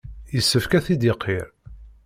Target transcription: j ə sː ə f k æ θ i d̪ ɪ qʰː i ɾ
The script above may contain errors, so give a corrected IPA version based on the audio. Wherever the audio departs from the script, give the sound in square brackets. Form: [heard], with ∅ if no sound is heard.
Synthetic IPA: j ə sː ə f k æ θ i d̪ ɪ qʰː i ɾ